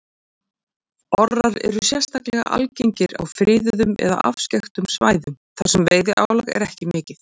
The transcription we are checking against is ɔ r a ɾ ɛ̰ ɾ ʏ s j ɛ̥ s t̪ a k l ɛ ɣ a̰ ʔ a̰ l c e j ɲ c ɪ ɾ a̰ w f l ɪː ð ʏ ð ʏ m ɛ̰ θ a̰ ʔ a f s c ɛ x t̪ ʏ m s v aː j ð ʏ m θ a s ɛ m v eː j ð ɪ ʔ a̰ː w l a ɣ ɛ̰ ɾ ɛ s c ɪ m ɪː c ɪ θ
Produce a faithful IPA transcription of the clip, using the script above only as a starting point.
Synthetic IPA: ɔ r a ɾ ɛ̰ ɾ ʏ s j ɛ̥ s t̪ a k l ɛ ɣ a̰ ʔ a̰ l c e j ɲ c ɪ ɾ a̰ w f ɾ ɪː ð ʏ ð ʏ m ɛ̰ ð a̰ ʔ a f s c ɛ x t̪ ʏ m s v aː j ð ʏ m θ a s ɛ m v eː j ð ɪ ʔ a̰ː w l a ɣ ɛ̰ ɾ ɛ h c ɪ m ɪː c ɪ θ